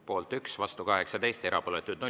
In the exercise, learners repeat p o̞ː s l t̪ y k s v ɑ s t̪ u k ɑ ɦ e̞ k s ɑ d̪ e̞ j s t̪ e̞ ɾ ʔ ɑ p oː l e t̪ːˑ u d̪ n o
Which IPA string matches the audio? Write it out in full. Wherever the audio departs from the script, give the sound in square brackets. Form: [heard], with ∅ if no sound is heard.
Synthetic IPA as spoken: p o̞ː [∅] l t̪ y k s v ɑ s t̪ u k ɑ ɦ e̞ k s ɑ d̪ e̞ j s t̪ e̞ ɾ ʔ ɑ p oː l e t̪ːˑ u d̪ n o